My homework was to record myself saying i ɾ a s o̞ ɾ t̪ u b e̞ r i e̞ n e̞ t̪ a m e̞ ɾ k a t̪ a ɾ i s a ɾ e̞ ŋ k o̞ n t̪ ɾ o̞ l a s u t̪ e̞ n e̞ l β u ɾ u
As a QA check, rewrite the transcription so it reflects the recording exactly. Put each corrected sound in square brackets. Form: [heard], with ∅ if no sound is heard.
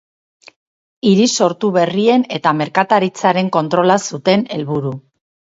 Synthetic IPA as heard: i ɾ [i] s o̞ ɾ t̪ u [β] e̞ r i e̞ n e̞ t̪ a m e̞ ɾ k a t̪ a ɾ i [t͡s] a ɾ e̞ ŋ k o̞ n t̪ ɾ o̞ l a s u t̪ e̞ n e̞ l β u ɾ u